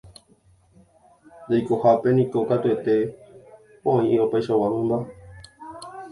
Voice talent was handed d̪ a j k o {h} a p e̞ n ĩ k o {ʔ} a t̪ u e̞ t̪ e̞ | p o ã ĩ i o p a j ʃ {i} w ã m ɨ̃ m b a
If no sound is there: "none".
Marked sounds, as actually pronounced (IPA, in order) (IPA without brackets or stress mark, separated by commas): h, k, a